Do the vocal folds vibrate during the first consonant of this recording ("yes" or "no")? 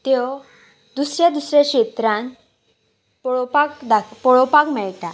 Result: no